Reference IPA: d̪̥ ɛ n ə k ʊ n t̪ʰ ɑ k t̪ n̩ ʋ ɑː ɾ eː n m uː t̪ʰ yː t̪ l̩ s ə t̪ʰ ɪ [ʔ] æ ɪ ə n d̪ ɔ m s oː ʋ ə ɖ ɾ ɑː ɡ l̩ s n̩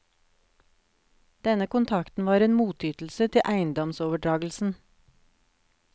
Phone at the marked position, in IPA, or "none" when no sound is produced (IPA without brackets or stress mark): ʔ